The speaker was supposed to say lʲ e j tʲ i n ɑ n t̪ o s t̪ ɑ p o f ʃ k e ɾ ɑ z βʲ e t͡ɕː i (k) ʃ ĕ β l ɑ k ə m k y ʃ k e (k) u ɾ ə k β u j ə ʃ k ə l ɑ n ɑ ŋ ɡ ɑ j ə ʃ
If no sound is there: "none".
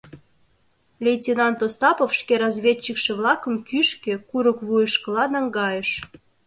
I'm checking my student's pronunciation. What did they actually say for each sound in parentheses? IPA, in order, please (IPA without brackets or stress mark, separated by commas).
k, k